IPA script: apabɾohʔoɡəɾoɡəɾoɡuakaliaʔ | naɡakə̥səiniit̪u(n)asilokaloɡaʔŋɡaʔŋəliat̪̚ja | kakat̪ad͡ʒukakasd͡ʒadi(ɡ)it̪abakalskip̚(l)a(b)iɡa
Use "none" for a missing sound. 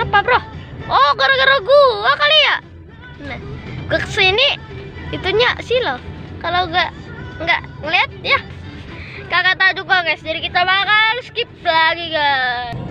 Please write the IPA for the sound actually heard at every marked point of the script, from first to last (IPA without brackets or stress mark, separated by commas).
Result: ɲ, k, l, ɡ